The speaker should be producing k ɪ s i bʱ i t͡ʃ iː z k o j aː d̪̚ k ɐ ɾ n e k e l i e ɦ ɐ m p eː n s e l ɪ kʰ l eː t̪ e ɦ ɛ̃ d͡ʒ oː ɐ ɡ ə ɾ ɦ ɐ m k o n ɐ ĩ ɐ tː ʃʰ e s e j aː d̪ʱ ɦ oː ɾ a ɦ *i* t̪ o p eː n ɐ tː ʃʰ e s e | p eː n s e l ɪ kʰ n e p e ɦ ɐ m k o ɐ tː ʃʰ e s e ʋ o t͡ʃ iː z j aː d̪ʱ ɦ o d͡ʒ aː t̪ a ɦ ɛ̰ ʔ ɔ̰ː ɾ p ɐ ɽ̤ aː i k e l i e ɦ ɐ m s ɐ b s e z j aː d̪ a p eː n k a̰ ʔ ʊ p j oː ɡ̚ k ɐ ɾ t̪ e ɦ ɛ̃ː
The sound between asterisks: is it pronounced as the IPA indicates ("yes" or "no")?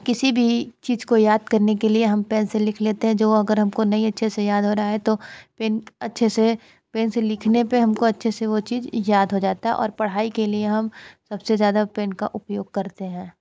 no